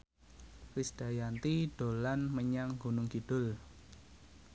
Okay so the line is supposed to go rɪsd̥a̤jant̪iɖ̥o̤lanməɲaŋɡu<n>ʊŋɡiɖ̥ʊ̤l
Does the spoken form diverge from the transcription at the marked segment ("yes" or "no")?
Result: no